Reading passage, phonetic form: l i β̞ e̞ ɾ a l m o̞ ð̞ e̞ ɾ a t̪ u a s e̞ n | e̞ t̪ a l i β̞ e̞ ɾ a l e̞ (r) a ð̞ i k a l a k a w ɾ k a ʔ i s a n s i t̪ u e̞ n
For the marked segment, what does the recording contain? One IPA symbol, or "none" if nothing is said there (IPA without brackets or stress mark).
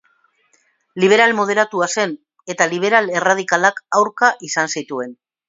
r